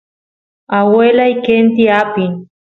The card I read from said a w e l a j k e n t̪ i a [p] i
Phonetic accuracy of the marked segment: correct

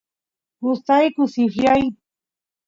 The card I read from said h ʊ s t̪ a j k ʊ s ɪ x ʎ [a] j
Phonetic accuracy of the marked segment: correct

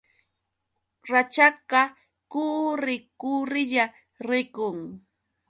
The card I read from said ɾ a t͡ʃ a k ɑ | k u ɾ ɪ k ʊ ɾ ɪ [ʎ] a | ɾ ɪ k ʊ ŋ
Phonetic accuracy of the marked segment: correct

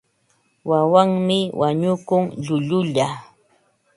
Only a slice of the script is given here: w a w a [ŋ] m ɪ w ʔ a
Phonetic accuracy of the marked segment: correct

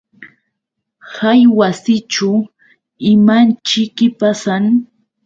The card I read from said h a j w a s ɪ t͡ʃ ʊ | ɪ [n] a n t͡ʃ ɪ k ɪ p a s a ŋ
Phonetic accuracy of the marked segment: incorrect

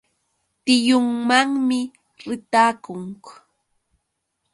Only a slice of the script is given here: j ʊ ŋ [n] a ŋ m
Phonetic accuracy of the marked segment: incorrect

